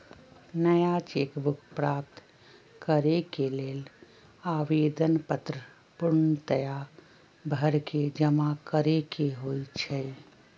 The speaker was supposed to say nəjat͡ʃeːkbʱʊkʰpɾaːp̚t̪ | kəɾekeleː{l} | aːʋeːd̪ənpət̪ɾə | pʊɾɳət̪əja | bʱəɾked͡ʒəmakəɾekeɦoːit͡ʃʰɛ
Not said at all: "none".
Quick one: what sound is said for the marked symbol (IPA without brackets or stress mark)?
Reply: l